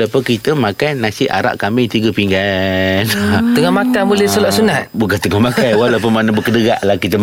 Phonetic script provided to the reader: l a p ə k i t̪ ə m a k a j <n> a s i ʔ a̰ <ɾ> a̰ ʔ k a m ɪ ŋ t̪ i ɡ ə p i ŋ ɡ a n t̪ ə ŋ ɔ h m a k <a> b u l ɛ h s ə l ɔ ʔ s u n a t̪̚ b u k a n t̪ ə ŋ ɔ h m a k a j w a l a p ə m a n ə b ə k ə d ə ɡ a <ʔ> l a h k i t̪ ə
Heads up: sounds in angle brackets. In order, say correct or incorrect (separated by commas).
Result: correct, correct, correct, correct